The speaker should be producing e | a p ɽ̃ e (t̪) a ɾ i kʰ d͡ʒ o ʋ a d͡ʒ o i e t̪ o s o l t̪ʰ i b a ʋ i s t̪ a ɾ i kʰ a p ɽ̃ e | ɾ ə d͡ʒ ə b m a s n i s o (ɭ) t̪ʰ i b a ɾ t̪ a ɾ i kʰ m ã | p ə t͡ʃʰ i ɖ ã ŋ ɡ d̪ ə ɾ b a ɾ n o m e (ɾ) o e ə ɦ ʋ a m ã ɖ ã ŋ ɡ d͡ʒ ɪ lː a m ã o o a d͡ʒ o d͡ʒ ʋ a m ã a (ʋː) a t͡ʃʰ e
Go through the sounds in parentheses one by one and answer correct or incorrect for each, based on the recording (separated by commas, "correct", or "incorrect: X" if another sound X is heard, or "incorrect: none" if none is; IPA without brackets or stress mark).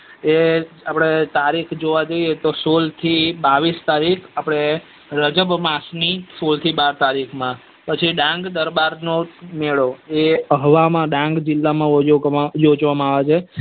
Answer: correct, incorrect: l, incorrect: ɭ, incorrect: ʋ